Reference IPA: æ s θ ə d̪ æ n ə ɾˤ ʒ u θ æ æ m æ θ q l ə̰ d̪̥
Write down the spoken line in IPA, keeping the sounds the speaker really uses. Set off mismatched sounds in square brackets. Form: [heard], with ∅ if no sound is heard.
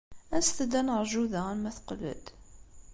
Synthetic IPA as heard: æ s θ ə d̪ æ n ə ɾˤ ʒ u [ð] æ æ m æ θ q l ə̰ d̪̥